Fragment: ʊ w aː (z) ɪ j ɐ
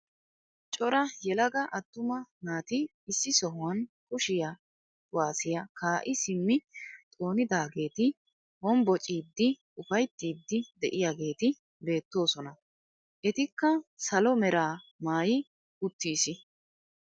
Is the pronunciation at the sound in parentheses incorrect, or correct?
incorrect